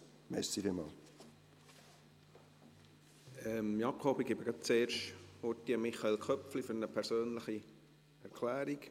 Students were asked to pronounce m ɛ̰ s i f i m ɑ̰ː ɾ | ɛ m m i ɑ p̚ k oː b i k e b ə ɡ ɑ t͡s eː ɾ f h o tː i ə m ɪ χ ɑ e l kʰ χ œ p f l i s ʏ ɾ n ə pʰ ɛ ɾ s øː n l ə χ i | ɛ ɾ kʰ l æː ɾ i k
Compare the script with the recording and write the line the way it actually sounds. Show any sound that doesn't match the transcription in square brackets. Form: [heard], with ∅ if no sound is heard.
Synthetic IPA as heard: m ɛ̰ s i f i m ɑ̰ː [l] | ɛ m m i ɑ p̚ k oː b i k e b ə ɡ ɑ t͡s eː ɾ [ʃ] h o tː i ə m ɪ χ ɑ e l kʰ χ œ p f l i [f] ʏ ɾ n ə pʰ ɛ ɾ s øː n l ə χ i | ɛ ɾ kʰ l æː ɾ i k